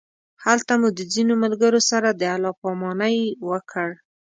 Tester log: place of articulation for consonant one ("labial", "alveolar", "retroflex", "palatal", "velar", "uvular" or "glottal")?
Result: glottal